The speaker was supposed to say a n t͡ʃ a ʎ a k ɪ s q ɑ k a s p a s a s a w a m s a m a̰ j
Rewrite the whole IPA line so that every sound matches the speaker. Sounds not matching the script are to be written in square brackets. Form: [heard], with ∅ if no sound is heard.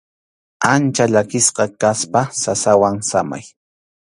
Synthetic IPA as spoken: a n t͡ʃ a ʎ a k ɪ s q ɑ k a s p a s a s a w a [ŋ] s a m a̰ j